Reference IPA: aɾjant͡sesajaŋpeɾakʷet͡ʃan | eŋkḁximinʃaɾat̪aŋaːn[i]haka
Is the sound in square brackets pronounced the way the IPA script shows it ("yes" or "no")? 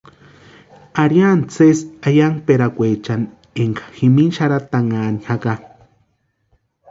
yes